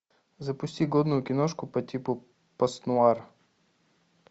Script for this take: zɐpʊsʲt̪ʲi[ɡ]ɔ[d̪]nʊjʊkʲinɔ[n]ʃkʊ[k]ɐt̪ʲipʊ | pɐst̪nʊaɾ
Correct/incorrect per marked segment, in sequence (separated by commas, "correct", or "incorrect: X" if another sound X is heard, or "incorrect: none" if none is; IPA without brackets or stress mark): correct, correct, incorrect: none, incorrect: p